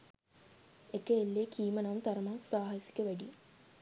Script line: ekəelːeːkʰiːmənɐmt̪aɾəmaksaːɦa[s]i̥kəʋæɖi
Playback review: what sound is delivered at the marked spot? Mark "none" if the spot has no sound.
s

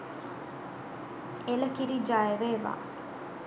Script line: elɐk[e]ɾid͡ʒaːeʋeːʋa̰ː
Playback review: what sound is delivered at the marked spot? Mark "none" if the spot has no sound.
i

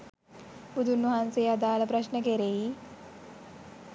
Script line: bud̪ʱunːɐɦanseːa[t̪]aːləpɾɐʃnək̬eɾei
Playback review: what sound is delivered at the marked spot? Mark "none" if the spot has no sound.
d̪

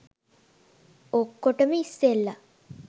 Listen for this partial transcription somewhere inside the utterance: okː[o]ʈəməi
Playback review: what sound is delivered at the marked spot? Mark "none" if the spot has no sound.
o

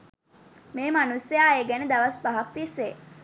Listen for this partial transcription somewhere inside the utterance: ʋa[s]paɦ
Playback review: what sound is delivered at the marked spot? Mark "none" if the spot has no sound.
s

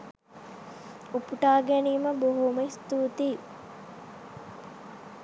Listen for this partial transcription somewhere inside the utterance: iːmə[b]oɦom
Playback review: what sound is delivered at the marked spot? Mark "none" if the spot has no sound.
b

